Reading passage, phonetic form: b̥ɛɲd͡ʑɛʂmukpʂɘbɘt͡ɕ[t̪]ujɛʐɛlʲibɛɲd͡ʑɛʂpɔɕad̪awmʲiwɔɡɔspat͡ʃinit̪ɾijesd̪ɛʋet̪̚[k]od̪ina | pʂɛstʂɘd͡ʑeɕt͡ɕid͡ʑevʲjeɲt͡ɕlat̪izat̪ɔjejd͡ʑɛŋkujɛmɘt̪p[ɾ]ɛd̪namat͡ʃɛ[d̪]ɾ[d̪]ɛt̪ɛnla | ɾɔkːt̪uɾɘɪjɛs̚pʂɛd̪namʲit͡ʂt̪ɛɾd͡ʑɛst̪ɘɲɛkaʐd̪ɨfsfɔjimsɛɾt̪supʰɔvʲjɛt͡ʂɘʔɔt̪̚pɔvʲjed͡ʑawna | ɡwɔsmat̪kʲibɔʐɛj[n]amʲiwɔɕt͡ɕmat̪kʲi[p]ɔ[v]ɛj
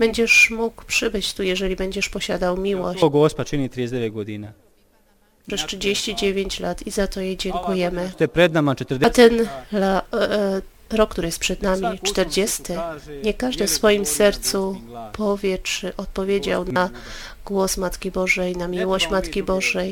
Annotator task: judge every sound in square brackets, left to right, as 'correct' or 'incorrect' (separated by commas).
correct, incorrect, correct, incorrect, correct, correct, incorrect, incorrect